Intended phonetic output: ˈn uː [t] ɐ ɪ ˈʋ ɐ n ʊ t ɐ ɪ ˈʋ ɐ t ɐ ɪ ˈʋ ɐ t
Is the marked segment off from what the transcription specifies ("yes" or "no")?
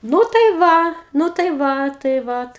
no